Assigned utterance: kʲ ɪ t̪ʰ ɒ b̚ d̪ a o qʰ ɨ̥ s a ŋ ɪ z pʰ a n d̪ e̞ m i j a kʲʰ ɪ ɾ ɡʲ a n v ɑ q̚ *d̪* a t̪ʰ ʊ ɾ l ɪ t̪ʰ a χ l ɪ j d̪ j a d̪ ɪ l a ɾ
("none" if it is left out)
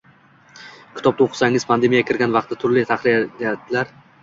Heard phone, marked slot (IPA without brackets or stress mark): t̪